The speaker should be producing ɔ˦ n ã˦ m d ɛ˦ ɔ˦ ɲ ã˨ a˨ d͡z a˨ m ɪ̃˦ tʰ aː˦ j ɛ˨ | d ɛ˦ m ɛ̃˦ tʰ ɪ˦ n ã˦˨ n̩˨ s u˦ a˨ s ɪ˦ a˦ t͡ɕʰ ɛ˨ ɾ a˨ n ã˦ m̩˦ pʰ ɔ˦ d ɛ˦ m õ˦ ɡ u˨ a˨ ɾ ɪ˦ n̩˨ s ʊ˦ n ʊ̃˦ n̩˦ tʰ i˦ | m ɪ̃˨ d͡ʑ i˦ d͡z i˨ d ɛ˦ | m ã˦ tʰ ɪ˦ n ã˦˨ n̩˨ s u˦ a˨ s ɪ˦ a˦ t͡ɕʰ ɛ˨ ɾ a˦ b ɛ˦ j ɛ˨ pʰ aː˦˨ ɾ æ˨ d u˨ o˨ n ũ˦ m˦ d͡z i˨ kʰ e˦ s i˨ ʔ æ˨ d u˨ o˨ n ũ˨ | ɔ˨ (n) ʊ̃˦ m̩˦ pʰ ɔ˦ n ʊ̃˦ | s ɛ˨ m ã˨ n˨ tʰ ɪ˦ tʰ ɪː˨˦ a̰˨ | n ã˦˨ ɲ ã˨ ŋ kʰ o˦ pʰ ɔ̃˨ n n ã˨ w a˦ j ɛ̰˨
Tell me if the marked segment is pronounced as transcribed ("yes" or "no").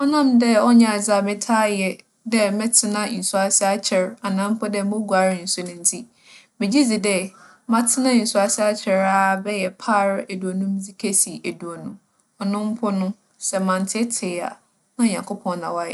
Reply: yes